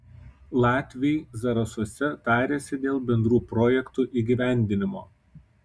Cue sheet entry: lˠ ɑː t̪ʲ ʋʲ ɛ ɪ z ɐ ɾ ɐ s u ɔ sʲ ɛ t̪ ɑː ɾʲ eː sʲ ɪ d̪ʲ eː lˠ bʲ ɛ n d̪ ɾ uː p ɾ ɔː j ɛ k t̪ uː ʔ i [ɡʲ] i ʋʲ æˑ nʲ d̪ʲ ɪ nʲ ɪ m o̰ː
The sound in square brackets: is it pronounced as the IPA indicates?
yes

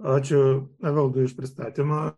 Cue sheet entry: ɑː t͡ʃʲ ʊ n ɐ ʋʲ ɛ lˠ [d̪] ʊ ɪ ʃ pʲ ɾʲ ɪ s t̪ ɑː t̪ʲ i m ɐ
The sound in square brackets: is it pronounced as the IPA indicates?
yes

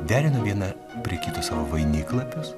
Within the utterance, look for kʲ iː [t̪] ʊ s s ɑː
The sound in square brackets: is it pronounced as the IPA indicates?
yes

